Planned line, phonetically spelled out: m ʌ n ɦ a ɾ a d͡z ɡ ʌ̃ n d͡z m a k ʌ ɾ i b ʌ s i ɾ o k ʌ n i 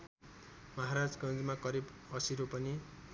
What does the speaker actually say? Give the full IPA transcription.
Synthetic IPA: m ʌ ɦ a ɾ a d͡z ɡ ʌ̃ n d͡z m a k ʌ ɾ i b ʌ s i ɾ o p ʌ n i